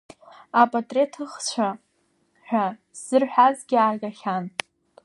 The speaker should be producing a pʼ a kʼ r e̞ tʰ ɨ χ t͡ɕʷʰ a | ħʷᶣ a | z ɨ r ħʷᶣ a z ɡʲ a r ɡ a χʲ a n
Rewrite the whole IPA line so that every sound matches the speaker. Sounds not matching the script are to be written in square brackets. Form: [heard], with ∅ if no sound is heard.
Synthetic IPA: a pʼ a [tʼ] r e̞ tʰ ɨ χ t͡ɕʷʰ a | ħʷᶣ a | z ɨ r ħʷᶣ a z ɡʲ a r ɡ a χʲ a n